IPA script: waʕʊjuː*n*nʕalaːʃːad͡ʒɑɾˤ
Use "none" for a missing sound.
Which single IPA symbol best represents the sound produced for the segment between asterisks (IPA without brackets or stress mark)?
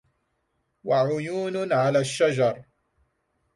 n